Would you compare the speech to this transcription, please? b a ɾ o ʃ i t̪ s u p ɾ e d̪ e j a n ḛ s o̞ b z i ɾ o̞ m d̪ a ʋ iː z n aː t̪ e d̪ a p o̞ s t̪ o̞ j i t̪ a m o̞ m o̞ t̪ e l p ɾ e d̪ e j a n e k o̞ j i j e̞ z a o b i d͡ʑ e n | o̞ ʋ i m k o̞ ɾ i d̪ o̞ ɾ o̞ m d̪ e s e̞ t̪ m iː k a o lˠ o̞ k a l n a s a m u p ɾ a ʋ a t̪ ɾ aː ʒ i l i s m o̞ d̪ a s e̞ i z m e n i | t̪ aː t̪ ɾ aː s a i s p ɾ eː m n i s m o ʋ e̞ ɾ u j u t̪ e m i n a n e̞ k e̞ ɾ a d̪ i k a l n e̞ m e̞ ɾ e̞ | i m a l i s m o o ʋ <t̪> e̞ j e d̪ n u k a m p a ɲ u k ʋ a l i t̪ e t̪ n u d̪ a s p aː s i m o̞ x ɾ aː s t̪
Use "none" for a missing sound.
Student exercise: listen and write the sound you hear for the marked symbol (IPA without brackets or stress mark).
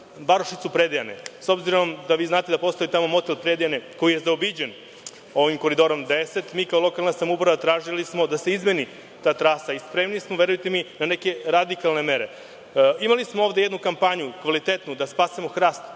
d̪